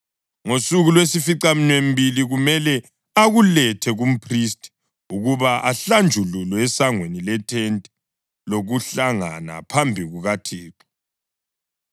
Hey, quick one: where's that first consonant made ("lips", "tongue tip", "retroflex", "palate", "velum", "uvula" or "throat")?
velum